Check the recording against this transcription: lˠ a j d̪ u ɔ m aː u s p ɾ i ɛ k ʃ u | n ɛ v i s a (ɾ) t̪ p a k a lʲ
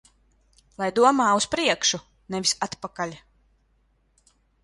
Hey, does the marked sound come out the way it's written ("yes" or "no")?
no